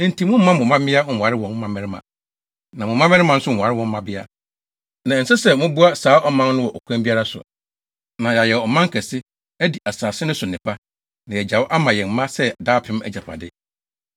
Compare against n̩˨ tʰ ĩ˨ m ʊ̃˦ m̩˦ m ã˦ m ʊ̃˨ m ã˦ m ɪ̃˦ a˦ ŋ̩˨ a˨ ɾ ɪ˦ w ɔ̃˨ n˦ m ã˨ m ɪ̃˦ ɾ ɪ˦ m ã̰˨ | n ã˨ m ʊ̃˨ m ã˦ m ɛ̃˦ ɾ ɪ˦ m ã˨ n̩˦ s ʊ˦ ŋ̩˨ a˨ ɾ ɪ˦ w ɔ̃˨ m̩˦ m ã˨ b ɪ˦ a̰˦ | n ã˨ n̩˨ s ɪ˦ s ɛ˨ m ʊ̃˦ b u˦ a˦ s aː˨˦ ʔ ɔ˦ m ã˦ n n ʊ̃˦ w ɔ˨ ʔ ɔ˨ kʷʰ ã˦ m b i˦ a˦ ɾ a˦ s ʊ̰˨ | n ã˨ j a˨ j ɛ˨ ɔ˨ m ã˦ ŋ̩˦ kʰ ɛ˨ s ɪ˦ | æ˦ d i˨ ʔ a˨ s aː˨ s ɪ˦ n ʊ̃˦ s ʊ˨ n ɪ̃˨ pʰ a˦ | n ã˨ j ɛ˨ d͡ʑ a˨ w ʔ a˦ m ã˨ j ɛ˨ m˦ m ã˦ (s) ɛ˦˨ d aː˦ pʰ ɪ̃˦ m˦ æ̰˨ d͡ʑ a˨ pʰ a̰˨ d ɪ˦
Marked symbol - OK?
yes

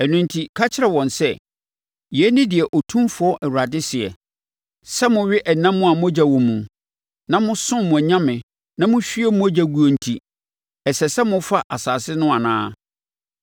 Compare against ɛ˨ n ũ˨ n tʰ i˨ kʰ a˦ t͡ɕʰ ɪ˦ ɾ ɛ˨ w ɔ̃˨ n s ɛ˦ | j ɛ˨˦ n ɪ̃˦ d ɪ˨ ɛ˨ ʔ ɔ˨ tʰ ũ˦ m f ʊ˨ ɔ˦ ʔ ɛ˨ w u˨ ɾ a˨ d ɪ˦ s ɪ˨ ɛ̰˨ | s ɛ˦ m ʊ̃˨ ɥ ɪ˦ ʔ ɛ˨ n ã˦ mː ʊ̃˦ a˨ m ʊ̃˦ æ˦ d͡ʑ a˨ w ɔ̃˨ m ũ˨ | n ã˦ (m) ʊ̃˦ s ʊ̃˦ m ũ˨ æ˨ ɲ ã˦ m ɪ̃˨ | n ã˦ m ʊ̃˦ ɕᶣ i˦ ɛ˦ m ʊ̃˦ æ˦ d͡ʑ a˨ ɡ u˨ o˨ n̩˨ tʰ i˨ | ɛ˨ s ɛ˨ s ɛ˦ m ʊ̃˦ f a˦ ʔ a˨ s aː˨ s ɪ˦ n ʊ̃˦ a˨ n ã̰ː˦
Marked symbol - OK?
yes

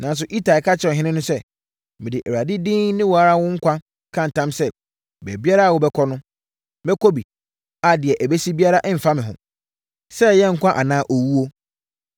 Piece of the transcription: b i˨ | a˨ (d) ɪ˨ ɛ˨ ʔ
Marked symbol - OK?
yes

